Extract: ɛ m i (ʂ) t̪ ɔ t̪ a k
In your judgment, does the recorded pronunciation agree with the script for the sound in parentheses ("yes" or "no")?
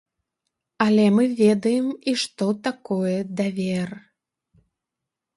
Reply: yes